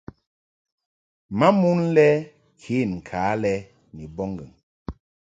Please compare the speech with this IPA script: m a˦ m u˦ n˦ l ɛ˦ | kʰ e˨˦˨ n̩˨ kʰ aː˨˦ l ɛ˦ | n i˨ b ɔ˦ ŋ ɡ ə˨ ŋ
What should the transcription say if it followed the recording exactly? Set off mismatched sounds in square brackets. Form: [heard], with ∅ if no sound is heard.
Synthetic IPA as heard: m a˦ m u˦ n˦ l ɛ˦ | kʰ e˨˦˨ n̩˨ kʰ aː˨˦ l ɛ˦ | n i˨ b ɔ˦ ŋ ɡ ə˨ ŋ

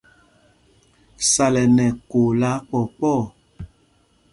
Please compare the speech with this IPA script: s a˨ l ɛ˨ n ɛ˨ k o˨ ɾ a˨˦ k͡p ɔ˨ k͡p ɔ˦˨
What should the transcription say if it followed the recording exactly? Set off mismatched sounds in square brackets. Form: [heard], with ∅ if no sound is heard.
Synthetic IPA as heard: s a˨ l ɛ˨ n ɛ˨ k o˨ [l] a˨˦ k͡p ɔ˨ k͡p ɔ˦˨

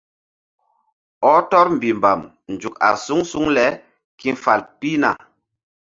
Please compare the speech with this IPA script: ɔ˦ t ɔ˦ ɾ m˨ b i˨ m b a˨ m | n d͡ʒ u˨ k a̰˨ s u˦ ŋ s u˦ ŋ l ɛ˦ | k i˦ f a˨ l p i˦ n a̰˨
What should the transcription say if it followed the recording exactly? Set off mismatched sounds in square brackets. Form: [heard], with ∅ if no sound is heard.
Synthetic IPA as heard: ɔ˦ t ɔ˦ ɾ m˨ b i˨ m b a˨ m | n d͡ʒ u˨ k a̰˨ s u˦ ŋ s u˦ ŋ l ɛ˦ | k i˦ f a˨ l p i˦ n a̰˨

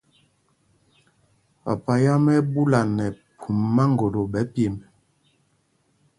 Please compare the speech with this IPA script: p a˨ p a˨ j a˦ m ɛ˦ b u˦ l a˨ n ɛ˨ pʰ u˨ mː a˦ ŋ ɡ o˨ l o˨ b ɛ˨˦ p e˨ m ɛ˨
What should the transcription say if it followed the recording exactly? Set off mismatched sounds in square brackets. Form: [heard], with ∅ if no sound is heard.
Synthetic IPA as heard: p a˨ p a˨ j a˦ m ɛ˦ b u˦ l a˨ n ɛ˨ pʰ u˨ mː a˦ ŋ ɡ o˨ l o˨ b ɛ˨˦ p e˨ m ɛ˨

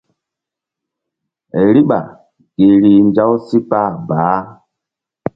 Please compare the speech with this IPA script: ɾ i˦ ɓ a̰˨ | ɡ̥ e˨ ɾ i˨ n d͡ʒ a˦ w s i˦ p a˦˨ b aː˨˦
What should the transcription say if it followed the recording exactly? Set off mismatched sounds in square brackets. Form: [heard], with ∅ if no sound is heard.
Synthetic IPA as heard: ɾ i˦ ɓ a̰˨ | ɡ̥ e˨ ɾ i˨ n d͡ʒ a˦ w s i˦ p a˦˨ b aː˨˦

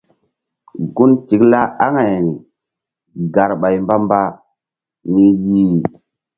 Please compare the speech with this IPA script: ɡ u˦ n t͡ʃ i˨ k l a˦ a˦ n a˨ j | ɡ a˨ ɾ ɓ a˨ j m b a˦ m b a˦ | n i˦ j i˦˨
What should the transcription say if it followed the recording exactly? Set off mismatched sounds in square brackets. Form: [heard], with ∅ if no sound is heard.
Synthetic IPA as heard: ɡ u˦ n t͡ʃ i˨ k l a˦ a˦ [ŋ] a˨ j | ɡ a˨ ɾ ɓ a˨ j m b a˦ m b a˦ | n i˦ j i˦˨

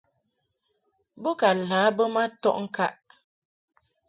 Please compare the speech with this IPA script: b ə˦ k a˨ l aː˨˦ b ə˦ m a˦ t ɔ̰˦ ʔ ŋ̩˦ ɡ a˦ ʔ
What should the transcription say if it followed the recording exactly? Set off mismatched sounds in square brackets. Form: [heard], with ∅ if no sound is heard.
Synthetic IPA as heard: b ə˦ k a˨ l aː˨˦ b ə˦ m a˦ t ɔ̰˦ ʔ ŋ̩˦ [k] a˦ ʔ

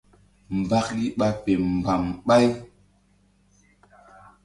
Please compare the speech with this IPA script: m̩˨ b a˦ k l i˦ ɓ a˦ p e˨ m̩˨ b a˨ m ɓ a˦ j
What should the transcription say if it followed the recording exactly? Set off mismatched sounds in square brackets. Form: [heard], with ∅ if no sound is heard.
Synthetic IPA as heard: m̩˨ b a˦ k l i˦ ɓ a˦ p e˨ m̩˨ b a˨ m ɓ a˦ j

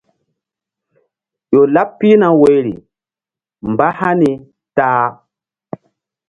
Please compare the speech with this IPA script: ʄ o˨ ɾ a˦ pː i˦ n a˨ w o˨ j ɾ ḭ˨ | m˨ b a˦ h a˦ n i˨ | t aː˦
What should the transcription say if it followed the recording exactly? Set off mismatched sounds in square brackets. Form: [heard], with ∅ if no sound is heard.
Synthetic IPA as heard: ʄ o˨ [l] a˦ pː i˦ n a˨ w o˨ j ɾ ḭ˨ | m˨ b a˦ h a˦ n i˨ | t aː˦

